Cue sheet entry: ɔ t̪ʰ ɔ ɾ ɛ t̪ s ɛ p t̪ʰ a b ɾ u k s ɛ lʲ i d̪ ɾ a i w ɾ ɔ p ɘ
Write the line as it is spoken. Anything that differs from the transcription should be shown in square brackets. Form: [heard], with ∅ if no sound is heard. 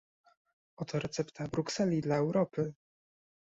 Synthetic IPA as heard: ɔ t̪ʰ ɔ ɾ ɛ t̪ s ɛ p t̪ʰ a b ɾ u k s ɛ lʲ i d̪ [l] a [ɛ] w ɾ ɔ p ɘ